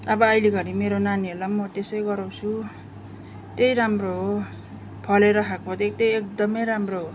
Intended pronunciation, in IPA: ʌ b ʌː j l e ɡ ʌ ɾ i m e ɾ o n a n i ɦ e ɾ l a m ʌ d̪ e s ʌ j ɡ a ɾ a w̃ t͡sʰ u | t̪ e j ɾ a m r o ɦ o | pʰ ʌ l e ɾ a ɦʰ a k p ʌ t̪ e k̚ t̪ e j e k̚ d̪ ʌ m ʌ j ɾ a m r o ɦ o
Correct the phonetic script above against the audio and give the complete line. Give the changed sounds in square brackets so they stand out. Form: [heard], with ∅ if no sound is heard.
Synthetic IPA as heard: ʌ b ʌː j l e ɡ ʌ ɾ i m e ɾ o n a n i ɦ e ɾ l a m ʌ [t̪] e s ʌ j ɡ [ʌ] ɾ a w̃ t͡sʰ u | t̪ e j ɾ a m r o ɦ o | pʰ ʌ l e ɾ [ʌ] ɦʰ a k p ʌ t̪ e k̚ t̪ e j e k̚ d̪ ʌ m ʌ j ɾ a m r o ɦ o